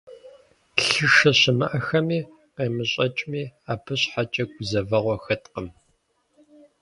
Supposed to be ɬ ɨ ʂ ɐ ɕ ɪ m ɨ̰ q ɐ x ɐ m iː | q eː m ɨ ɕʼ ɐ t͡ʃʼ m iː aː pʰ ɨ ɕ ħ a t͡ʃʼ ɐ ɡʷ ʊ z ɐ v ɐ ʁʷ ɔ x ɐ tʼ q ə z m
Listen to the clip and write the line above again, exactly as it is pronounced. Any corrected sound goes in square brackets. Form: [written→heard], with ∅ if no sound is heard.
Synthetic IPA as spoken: ɬ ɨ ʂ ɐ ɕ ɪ m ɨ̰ [q→ʔ] ɐ x ɐ m iː | q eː m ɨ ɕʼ ɐ t͡ʃʼ m iː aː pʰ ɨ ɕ ħ a t͡ʃʼ ɐ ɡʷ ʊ z ɐ v ɐ ʁʷ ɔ x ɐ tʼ q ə [z→∅] m